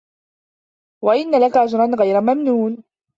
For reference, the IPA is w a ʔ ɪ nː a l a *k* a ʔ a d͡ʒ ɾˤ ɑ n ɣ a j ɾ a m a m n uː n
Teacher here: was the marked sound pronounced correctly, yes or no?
yes